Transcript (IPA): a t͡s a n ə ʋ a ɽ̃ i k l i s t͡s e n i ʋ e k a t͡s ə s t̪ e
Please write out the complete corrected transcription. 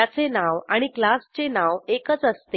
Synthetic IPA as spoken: a t͡s e n a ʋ a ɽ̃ i k l a s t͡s e n a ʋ e k ə t͡s ə s t̪ e